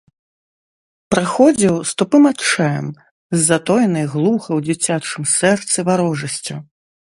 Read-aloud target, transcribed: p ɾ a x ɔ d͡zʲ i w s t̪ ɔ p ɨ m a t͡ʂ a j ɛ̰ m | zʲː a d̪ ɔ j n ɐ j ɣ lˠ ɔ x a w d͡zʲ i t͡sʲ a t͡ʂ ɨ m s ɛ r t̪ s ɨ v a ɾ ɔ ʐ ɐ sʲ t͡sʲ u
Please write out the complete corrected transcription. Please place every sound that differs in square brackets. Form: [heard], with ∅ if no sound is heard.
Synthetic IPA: p ɾ a x ɔ d͡zʲ i w s t̪ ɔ p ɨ m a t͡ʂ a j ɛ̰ m | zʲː a [t̪] ɔ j n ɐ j ɣ lˠ [u] x [ɐ] w d͡zʲ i t͡sʲ a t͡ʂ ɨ m s ɛ r t̪ s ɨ v a ɾ ɔ ʐ ɐ sʲ t͡sʲ u

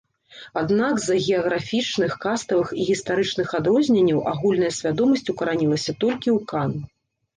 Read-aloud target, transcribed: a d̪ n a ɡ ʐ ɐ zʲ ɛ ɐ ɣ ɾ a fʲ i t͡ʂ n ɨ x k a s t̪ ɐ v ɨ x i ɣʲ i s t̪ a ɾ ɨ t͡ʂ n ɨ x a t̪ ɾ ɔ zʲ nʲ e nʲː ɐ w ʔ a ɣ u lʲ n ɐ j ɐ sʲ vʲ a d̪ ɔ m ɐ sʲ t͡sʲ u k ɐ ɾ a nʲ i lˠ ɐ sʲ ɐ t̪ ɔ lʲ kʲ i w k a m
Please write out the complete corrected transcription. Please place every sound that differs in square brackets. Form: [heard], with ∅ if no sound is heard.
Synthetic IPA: a d̪ n a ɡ [z] ɐ [ɣʲ] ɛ ɐ ɣ ɾ a fʲ i t͡ʂ n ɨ x k a s t̪ ɐ v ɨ x i ɣʲ i s t̪ a ɾ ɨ t͡ʂ n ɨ x a [d̪] ɾ ɔ zʲ nʲ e nʲː ɐ w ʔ a ɣ u lʲ n ɐ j ɐ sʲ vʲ a d̪ ɔ m ɐ sʲ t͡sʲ u k ɐ ɾ a nʲ i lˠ ɐ sʲ ɐ t̪ ɔ lʲ kʲ i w k a [n]

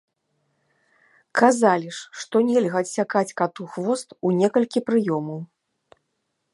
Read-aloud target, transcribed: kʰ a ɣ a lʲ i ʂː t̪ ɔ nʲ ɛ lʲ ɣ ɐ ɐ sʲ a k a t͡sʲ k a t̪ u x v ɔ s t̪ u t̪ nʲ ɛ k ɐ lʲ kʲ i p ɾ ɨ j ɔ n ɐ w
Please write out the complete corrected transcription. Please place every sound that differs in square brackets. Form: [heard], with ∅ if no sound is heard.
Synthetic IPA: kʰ a [z] a lʲ i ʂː t̪ ɔ nʲ ɛ lʲ ɣ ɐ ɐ sʲ a k a t͡sʲ k a t̪ u x v ɔ s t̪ u [∅] nʲ ɛ k ɐ lʲ kʲ i p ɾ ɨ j ɔ [m] ɐ w

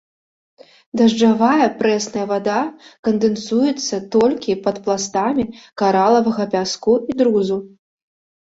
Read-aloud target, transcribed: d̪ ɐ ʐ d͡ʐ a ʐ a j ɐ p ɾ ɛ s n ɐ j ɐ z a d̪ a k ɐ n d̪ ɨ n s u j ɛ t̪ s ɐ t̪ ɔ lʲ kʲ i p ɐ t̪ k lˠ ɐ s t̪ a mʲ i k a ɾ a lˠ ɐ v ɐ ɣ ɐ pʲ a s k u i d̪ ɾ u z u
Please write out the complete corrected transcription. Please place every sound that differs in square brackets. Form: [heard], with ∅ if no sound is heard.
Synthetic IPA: d̪ ɐ ʐ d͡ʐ a [v] a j ɐ p ɾ ɛ s n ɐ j ɐ [v] a d̪ a k ɐ n d̪ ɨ n s u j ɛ t̪ [sː] ɐ t̪ ɔ lʲ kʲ i p ɐ t̪ [p] lˠ [a] s t̪ a mʲ i k a ɾ a lˠ ɐ v ɐ ɣ ɐ pʲ a s k u i d̪ ɾ u z u

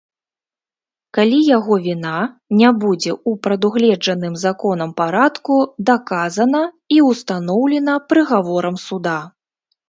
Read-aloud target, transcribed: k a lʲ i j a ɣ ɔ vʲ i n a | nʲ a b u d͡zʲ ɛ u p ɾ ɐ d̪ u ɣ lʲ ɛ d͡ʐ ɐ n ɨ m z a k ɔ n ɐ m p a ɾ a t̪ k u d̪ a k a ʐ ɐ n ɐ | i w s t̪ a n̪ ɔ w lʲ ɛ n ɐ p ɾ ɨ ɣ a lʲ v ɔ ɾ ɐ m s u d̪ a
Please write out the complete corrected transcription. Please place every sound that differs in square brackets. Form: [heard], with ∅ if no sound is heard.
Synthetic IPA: k a lʲ i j a ɣ ɔ vʲ i n a | nʲ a b u d͡zʲ ɛ u p ɾ ɐ d̪ u ɣ lʲ ɛ d͡ʐ ɐ n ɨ m z a k ɔ n ɐ m p a ɾ a t̪ k u d̪ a k a [z] ɐ n ɐ | i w s t̪ a n̪ ɔ w lʲ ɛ n ɐ p ɾ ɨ ɣ a [∅] v ɔ ɾ ɐ m s u d̪ a

